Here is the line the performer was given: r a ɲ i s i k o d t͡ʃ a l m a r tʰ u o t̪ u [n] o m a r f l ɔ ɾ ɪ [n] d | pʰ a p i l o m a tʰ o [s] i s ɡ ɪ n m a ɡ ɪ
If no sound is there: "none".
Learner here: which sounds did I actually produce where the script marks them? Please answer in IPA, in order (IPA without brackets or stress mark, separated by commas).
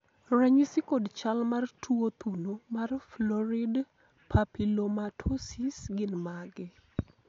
n, none, s